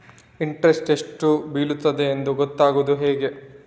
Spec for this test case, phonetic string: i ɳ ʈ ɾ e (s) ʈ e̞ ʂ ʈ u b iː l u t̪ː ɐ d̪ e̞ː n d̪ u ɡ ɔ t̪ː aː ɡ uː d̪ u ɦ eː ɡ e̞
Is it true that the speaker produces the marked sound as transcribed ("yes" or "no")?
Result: yes